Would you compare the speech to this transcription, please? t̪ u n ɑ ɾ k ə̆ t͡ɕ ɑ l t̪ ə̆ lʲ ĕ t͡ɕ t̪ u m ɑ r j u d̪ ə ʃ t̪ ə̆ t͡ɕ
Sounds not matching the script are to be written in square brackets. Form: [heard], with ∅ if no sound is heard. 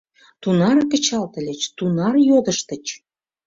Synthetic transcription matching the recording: t̪ u n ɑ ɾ k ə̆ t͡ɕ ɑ l t̪ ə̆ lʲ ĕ t͡ɕ t̪ u [n] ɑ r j [o] d̪ ə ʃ t̪ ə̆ t͡ɕ